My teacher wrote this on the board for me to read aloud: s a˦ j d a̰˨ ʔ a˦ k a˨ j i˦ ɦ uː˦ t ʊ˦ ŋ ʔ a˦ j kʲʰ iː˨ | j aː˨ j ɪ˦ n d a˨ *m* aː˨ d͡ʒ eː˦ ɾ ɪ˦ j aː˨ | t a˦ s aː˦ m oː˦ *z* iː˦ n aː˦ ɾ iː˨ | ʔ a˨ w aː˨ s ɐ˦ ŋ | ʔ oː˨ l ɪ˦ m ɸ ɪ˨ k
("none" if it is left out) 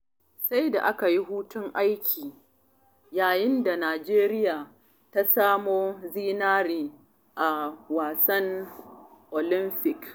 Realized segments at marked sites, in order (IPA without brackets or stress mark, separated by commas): n, z